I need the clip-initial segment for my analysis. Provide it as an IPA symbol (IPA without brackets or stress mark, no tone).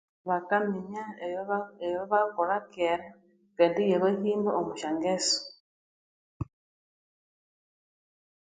β